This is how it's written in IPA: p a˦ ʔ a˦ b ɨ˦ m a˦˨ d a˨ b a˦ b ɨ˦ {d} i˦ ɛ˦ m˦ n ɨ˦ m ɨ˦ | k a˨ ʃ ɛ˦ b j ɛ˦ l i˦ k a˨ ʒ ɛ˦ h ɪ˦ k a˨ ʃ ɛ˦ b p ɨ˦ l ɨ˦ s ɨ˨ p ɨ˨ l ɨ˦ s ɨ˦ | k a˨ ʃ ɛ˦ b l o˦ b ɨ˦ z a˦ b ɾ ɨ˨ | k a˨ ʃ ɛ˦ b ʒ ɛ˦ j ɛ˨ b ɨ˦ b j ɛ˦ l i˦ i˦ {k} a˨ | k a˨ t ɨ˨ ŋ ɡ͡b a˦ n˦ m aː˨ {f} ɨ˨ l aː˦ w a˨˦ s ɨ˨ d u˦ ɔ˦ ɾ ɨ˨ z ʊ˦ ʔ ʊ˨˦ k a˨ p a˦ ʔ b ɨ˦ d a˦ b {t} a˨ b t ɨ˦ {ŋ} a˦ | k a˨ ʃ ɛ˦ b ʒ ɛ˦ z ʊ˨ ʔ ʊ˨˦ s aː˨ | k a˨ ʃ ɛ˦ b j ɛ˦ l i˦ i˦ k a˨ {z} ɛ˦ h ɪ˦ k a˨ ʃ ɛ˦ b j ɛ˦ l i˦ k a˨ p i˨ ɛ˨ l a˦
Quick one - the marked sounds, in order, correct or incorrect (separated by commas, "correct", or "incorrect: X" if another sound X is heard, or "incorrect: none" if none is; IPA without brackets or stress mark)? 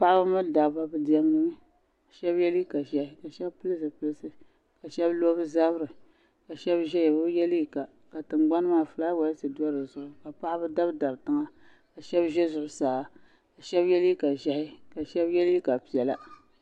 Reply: correct, correct, correct, incorrect: d, correct, incorrect: ʒ